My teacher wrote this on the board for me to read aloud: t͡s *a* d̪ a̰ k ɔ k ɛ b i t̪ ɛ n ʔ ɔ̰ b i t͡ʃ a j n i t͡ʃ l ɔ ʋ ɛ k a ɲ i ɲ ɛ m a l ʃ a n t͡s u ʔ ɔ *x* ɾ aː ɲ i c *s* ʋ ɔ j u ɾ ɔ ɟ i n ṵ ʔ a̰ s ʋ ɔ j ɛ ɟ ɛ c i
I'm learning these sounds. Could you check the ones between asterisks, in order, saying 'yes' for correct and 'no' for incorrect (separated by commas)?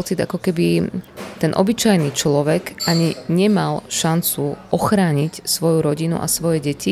no, yes, yes